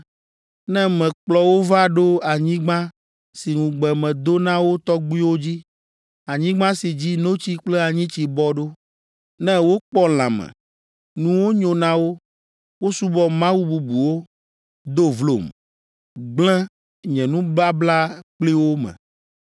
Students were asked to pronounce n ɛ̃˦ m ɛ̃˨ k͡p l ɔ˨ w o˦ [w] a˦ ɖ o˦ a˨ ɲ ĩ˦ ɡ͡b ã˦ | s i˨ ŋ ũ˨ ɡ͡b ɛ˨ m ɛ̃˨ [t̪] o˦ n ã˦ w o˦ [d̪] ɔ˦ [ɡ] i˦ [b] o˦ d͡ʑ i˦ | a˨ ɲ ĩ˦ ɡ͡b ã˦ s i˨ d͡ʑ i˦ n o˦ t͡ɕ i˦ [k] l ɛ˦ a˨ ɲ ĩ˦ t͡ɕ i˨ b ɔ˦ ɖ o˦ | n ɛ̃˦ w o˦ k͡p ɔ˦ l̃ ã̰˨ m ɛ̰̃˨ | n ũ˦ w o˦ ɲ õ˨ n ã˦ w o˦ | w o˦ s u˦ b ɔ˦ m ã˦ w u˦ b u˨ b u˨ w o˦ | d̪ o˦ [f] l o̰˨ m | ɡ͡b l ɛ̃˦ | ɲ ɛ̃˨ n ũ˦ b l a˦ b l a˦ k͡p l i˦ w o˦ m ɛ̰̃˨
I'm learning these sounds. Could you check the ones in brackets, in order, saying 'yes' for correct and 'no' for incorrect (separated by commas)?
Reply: no, no, no, no, no, no, no